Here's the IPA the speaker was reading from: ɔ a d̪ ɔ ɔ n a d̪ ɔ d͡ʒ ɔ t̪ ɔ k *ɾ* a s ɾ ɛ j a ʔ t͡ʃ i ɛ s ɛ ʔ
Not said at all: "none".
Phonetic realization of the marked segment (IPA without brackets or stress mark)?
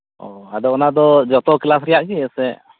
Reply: l